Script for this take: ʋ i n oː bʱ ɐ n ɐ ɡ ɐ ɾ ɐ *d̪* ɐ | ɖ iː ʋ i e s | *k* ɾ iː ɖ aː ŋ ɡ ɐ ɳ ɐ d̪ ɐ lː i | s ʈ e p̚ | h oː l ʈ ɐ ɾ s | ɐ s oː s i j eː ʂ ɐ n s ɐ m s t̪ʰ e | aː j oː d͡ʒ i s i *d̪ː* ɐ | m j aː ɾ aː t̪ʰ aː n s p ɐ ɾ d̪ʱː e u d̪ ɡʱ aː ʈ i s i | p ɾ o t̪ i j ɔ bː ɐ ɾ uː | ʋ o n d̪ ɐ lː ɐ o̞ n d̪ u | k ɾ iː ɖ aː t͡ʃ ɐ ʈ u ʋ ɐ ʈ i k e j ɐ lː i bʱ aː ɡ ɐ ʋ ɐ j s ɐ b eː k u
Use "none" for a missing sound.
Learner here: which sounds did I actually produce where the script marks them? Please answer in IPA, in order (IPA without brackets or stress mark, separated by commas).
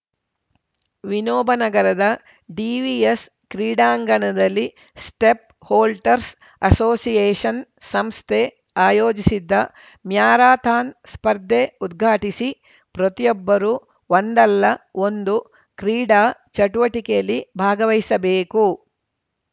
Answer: d̪, k, d̪ː